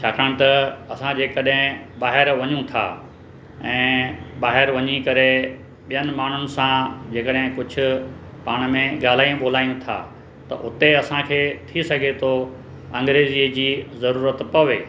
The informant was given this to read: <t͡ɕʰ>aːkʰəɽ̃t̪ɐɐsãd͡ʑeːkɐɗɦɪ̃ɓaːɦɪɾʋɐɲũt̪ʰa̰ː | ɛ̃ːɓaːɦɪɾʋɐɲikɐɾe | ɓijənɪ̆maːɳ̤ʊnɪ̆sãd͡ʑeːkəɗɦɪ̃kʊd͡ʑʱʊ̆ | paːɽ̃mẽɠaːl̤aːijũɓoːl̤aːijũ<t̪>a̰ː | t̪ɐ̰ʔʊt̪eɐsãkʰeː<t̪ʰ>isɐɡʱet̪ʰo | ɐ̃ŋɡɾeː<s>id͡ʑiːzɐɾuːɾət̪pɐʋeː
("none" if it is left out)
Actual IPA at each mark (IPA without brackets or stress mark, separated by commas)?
t͡ɕʰ, t̪ʰ, t̪ʰ, z